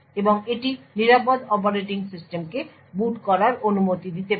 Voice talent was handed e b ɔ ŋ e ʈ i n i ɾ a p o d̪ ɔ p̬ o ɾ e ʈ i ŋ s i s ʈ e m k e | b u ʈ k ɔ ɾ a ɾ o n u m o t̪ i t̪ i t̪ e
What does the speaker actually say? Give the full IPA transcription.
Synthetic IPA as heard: e b o ŋ e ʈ i n i ɾ a p o d̪ ɔ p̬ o ɾ e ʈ i ŋ s i s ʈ e m k e | b u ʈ k ɔ ɾ a ɾ o n u m o t̪ i d̪ i t̪ e